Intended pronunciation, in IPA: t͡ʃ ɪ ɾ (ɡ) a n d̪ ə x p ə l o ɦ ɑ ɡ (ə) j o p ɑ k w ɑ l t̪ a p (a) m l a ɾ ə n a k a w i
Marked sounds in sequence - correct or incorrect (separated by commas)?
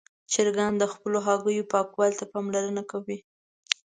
correct, correct, incorrect